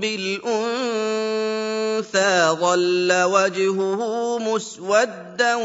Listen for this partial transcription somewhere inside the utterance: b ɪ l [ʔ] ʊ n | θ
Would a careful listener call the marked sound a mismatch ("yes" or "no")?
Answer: no